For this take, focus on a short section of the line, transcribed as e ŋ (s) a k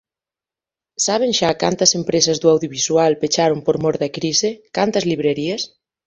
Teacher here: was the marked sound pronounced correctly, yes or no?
no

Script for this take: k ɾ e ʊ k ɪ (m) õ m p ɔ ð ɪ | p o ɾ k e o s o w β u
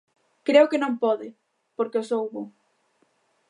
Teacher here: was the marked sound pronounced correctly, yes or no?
no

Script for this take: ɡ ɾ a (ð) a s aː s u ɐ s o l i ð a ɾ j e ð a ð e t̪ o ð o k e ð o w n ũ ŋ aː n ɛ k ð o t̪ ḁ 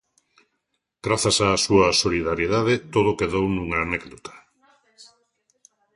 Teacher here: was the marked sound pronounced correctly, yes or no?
no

